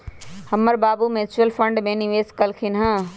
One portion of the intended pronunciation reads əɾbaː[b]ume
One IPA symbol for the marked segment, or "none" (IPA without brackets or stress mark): b